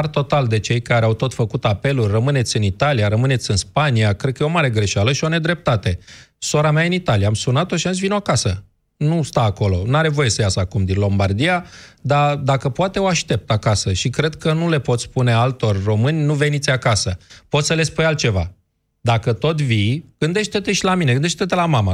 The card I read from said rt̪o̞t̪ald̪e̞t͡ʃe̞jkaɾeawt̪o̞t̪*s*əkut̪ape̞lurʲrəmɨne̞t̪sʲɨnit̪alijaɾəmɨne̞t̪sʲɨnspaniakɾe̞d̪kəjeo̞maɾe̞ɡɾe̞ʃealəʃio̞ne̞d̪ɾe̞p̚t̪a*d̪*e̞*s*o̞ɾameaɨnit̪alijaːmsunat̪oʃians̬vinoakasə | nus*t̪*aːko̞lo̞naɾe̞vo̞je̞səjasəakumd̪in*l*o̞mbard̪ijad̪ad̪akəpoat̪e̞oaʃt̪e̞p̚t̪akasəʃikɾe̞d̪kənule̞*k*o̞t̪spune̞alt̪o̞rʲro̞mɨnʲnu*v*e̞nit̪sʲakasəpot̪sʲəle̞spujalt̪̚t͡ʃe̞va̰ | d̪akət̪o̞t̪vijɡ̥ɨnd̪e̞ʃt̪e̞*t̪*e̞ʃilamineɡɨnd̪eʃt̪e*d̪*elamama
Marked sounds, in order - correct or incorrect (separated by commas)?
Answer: incorrect, incorrect, correct, correct, correct, incorrect, correct, correct, incorrect